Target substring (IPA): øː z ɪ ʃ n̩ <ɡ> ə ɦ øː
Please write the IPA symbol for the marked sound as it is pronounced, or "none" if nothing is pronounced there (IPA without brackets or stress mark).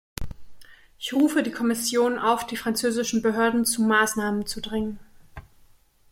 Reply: b